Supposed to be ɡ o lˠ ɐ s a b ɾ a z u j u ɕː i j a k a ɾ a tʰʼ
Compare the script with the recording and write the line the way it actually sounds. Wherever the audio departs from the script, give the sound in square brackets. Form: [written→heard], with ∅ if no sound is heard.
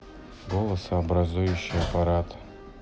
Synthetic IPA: ɡ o lˠ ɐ s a b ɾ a z u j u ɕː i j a [k→p] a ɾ a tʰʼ